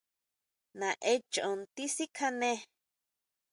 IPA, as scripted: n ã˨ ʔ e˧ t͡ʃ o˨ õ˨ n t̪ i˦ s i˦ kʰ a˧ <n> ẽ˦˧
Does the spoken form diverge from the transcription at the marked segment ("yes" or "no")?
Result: no